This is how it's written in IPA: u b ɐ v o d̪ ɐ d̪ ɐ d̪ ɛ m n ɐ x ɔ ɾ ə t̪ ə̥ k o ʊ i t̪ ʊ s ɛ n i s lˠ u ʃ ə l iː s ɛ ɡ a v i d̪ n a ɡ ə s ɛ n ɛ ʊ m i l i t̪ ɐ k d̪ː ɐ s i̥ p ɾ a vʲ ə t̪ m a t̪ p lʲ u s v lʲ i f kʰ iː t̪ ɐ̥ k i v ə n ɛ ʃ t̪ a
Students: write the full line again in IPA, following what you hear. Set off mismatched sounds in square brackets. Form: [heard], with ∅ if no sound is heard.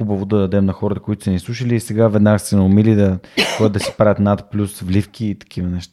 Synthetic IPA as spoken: u b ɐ v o d̪ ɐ d̪ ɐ d̪ ɛ m n ɐ x ɔ ɾ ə t̪ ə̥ k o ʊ i t̪ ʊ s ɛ n i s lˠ u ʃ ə l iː s ɛ ɡ a v [ɛ] d̪ n a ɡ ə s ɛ n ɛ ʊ m i l i [d̪] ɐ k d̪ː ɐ s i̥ p ɾ a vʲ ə t̪ [n] a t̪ p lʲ u s v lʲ i f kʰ iː t̪ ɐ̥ k i v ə n ɛ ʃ t̪ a